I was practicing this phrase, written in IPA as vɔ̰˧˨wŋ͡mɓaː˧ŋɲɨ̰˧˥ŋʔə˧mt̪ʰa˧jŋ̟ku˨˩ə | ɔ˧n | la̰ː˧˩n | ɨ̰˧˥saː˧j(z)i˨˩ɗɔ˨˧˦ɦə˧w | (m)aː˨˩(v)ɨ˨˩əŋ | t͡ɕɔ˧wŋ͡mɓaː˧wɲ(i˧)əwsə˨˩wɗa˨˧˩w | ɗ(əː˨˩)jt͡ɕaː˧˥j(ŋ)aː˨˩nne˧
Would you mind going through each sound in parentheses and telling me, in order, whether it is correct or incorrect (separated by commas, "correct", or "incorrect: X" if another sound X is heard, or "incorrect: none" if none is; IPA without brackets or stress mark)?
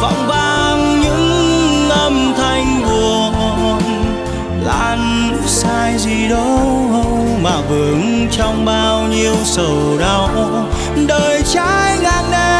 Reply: correct, correct, correct, correct, correct, correct